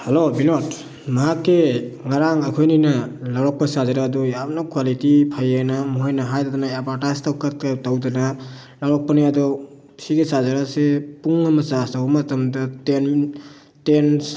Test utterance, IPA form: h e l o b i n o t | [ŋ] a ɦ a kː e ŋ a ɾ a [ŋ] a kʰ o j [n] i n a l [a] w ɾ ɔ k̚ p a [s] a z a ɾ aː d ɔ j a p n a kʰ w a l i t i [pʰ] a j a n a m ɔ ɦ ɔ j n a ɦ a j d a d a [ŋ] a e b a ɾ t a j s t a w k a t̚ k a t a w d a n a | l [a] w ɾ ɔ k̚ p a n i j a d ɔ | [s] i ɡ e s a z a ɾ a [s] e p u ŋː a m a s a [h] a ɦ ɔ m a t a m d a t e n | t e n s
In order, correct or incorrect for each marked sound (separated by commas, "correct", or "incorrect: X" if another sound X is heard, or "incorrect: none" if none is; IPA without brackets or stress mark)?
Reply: incorrect: m, correct, correct, correct, correct, correct, incorrect: n, correct, correct, correct, incorrect: s